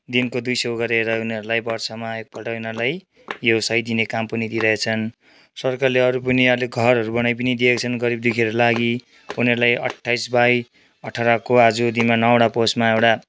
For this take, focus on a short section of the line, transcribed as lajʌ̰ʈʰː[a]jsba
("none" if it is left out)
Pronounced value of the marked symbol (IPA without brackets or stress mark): a